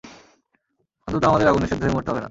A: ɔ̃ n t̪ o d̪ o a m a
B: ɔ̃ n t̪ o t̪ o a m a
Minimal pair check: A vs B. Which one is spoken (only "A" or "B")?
B